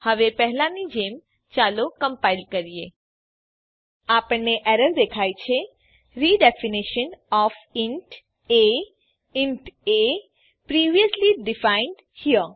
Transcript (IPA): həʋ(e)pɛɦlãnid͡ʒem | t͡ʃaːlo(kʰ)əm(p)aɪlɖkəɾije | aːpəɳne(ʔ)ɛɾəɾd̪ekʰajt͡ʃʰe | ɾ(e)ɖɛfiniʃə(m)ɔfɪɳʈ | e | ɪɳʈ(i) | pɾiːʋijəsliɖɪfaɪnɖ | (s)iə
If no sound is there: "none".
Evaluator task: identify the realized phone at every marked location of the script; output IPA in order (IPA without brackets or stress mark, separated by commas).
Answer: e, k, p, ʔ, i, n, e, h